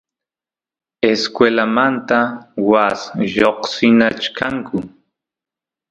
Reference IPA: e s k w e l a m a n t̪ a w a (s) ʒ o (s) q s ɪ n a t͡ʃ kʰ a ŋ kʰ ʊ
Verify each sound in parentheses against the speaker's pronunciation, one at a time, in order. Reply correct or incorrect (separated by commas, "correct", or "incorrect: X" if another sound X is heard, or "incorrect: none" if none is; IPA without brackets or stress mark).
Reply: correct, incorrect: none